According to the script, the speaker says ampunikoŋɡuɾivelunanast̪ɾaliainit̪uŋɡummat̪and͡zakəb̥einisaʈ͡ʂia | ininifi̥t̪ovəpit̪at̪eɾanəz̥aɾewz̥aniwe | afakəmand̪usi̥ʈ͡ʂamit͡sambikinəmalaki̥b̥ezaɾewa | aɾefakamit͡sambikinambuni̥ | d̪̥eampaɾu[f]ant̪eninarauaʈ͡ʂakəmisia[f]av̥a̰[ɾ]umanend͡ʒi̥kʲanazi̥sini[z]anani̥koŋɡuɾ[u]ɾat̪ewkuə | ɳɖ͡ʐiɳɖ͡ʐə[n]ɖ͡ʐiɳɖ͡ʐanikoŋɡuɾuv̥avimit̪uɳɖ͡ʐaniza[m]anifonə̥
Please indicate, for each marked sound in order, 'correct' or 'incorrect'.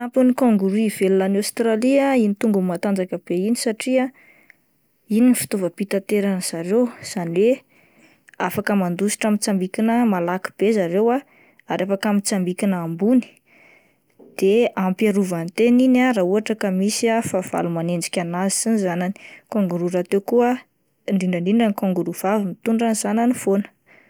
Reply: incorrect: v, correct, incorrect: l, correct, correct, incorrect: ɳ, incorrect: n

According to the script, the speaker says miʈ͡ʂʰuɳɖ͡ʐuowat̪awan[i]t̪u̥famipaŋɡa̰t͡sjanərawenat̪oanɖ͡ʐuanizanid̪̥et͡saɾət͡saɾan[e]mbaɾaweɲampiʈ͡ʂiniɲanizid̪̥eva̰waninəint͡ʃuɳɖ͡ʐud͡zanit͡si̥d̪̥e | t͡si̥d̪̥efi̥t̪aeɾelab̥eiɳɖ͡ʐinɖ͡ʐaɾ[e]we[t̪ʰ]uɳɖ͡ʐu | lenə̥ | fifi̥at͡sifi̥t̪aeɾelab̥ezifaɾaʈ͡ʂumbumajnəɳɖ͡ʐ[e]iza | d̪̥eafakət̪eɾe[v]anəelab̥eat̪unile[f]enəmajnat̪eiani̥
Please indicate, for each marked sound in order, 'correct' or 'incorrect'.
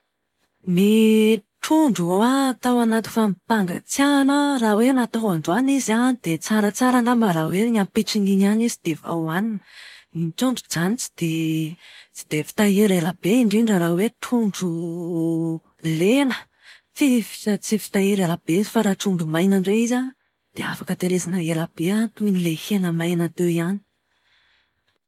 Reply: incorrect: a, incorrect: a, incorrect: a, correct, correct, incorrect: z, incorrect: h

